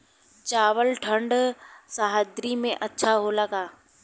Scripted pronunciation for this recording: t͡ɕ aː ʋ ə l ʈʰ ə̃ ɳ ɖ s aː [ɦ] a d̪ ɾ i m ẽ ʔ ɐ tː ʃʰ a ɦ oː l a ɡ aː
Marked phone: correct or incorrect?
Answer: correct